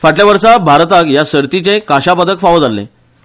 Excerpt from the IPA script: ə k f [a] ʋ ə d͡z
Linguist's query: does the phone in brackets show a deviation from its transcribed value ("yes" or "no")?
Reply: no